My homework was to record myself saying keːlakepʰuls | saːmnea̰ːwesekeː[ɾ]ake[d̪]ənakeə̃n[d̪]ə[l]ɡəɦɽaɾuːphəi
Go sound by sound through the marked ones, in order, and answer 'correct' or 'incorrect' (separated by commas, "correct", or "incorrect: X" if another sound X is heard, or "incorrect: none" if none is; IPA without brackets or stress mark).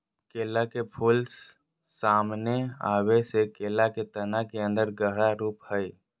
incorrect: l, incorrect: t̪, correct, incorrect: ɾ